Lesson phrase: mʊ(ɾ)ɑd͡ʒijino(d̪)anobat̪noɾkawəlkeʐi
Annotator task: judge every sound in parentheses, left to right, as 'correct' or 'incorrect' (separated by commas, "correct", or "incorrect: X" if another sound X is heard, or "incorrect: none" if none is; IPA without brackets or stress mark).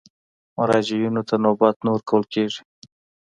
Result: correct, incorrect: t̪